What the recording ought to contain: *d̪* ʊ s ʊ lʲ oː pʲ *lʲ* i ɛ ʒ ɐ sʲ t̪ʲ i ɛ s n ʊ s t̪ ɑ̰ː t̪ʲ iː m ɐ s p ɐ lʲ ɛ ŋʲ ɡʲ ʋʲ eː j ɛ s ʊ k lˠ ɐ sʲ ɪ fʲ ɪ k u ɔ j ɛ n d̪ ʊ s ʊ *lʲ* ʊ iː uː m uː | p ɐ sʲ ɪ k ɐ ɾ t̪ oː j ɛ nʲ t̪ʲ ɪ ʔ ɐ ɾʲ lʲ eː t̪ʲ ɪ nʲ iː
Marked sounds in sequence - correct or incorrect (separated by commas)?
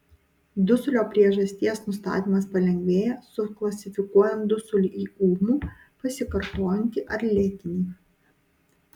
correct, incorrect, correct